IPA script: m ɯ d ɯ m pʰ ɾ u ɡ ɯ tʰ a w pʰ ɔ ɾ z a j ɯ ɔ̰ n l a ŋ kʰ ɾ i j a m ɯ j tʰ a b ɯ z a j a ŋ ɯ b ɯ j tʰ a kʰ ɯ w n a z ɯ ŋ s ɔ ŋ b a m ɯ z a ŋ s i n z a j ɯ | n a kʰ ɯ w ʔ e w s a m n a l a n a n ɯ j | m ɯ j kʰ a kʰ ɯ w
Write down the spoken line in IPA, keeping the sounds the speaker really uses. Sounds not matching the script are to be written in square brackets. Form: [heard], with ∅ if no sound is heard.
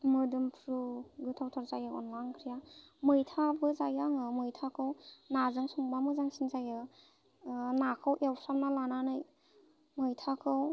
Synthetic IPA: m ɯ d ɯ m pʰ ɾ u ɡ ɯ tʰ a w [tʰ] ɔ ɾ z a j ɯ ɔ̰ n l a ŋ kʰ ɾ i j a m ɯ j tʰ a b ɯ z a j a ŋ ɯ [m] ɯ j tʰ a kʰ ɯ w n a z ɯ ŋ s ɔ ŋ b a m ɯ z a ŋ s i n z a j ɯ | n a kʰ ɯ w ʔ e w s a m n a l a n a n ɯ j | m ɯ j [tʰ] a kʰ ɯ w